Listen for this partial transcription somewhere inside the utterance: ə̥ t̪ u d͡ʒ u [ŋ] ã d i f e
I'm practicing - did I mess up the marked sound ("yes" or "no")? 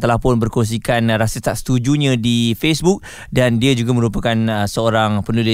yes